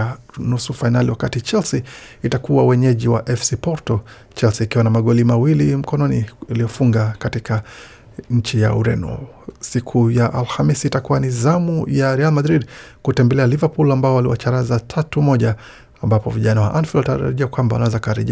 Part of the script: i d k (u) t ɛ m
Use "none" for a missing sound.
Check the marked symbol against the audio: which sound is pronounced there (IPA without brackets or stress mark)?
u